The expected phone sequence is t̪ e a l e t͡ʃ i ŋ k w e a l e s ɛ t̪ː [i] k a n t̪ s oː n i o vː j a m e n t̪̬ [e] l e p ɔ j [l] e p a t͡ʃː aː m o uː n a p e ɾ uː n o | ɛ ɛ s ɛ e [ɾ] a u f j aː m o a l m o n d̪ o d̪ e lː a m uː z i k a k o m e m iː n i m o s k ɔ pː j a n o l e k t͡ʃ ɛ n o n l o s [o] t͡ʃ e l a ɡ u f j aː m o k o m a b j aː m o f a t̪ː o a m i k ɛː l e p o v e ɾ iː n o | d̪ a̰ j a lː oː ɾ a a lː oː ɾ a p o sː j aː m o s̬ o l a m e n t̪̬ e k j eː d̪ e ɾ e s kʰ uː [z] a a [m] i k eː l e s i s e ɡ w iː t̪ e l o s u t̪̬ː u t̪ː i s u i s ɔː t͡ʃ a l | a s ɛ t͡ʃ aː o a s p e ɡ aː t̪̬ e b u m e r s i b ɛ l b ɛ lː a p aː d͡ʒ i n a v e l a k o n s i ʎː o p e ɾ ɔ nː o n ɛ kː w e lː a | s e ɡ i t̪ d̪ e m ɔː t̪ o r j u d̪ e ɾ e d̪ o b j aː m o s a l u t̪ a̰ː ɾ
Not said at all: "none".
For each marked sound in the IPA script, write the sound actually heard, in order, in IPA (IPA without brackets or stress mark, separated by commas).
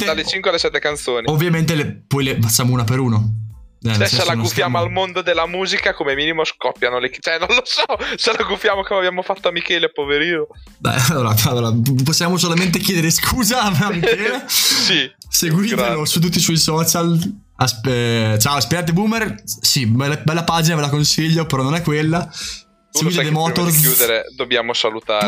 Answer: e, e, l, l, ɔ, z, m